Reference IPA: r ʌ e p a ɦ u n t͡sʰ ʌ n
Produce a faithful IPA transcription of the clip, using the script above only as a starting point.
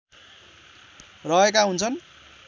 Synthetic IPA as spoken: r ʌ e k a ɦ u n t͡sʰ ʌ n